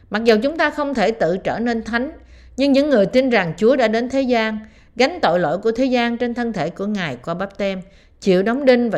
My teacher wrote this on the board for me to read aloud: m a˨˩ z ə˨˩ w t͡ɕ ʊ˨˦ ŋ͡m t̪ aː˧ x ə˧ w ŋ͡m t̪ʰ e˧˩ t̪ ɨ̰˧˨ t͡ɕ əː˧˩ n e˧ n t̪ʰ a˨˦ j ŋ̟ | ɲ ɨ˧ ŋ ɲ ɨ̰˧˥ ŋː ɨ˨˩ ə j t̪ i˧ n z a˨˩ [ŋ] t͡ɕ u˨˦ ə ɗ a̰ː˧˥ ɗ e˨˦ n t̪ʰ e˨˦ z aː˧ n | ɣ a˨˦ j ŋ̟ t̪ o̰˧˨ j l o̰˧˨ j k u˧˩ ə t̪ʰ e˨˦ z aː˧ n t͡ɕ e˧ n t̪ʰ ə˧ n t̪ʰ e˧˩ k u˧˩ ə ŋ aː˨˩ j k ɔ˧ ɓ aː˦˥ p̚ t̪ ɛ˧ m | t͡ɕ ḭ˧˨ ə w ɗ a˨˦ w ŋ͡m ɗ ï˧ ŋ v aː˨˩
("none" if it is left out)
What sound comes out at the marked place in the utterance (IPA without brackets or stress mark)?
ŋ